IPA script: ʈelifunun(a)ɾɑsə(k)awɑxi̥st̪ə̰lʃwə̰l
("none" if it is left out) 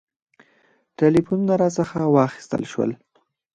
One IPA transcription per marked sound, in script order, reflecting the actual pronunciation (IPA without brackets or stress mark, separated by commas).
a, x